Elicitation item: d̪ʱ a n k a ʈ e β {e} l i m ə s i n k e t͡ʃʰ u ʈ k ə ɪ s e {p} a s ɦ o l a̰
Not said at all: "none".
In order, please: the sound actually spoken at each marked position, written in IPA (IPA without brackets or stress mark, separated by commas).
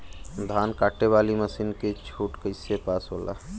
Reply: a, p